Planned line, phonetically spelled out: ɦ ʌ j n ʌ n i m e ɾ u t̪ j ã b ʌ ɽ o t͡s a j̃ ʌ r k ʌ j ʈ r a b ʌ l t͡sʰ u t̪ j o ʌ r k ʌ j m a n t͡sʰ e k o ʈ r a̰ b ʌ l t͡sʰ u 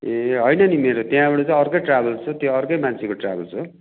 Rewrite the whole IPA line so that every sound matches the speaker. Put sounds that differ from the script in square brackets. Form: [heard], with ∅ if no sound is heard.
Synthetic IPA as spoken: ɦ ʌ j n ʌ n i m e ɾ [o] t̪ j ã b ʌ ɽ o t͡s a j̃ ʌ r k ʌ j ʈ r a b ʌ l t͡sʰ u t̪ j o ʌ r k ʌ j m a n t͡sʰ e k o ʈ r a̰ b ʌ l t͡sʰ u